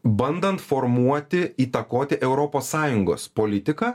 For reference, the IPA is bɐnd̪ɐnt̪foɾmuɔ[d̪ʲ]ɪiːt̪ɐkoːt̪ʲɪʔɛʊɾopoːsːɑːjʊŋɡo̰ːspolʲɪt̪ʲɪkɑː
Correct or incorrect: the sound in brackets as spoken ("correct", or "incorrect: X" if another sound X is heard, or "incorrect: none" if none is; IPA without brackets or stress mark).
incorrect: t̪ʲ